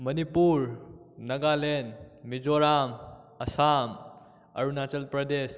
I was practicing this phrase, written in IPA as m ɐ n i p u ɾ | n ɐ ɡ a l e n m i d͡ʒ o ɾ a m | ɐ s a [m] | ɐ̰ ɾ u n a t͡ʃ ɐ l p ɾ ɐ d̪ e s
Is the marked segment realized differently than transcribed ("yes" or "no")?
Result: no